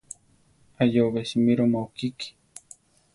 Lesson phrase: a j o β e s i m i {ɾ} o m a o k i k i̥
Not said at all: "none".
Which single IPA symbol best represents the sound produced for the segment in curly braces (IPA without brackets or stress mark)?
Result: ɾ